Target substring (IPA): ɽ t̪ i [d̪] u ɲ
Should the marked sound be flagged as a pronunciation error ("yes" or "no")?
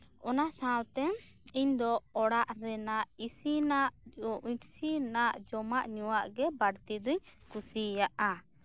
no